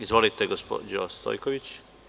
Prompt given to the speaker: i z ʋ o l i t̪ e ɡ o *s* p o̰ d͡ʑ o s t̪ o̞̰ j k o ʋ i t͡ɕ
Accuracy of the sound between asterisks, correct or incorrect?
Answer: correct